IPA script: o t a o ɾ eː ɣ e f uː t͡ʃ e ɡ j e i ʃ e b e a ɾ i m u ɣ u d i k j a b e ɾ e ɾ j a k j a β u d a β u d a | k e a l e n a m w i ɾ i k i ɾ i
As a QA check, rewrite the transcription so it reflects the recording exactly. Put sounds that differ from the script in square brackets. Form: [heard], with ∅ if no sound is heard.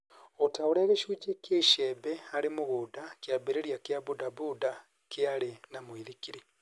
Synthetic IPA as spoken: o t a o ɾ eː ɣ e [ʃ] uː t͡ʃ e [k] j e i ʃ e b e a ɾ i m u ɣ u d [a] k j a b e ɾ e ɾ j a k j a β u d a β u d a | k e a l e n a m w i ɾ i k i ɾ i